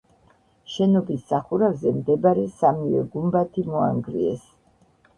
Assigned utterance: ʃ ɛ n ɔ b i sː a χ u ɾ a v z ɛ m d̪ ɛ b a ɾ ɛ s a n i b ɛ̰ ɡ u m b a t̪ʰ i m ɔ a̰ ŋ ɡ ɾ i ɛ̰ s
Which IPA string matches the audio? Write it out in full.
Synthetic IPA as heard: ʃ ɛ n ɔ b i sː a χ u ɾ a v z ɛ m d̪ ɛ b a ɾ ɛ s a m i v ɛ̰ ɡ u m b a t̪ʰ i m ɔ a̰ ŋ ɡ ɾ i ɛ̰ s